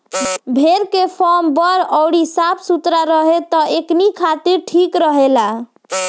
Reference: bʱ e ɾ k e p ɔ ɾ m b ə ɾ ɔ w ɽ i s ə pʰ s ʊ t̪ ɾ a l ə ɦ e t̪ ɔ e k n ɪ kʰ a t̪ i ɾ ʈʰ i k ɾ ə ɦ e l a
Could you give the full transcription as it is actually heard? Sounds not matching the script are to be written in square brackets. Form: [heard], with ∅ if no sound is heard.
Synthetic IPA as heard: bʱ e ɾ k e [pʰ] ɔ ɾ m b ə ɾ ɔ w ɽ i s [a] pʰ s [u] t̪ ɾ a [ɾ] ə ɦ e t̪ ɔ e k n [i] kʰ a t̪ i ɾ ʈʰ i k ɾ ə ɦ e l a